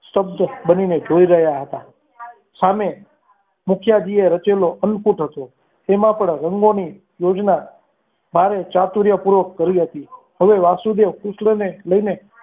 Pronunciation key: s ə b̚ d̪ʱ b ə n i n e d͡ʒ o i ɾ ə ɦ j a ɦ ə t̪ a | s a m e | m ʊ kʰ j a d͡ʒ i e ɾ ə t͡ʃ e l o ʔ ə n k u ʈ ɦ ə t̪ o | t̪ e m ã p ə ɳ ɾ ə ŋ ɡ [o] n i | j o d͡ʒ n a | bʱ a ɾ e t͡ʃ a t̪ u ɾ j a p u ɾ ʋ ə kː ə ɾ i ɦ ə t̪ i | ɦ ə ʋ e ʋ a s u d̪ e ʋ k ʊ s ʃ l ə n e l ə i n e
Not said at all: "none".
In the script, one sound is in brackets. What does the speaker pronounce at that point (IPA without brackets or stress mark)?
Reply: o